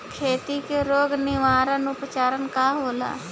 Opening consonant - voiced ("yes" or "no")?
no